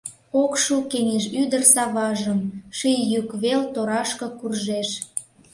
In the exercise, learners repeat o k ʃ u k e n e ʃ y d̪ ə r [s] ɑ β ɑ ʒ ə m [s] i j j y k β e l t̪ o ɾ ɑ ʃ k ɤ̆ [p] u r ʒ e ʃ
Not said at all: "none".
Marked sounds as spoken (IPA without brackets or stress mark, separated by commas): s, ʃ, k